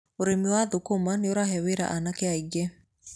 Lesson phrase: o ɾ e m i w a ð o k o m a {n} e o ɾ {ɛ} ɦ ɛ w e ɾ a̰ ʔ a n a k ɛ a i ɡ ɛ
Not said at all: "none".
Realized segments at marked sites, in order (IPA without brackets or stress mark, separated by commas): n, a